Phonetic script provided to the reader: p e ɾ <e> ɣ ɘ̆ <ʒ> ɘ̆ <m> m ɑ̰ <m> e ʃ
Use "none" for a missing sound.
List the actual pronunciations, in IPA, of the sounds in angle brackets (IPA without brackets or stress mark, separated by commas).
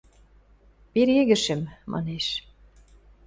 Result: e, ʃ, m, n